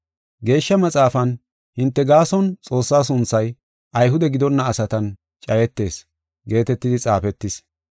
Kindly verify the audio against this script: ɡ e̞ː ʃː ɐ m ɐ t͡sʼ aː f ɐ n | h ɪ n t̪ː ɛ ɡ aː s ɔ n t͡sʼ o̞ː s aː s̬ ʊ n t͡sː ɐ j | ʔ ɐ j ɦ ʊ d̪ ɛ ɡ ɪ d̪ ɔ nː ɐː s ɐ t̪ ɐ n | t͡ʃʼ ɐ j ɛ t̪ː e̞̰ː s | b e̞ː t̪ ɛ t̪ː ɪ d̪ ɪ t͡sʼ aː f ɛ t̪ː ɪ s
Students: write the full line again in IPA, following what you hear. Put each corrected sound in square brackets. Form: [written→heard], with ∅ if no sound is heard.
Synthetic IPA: ɡ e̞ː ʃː ɐ m ɐ t͡sʼ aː f ɐ n | h ɪ n t̪ː ɛ ɡ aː s ɔ n t͡sʼ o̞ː [s→sː] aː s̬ ʊ n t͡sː ɐ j | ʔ ɐ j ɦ ʊ d̪ ɛ ɡ ɪ d̪ ɔ nː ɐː s ɐ t̪ ɐ n | t͡ʃʼ ɐ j ɛ t̪ː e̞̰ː s | [b→ɡ] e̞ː t̪ ɛ t̪ː ɪ d̪ ɪ t͡sʼ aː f ɛ t̪ː ɪ s